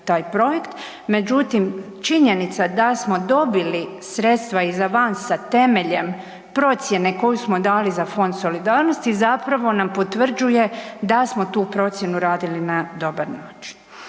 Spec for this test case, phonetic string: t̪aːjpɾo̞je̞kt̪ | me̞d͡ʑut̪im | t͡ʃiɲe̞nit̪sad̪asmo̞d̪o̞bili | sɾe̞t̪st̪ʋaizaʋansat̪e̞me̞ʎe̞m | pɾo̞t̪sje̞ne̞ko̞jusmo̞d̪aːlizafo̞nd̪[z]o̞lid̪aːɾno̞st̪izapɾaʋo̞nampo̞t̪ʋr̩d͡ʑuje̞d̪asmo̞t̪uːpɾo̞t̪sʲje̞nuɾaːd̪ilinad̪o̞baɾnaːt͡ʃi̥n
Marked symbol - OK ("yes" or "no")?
no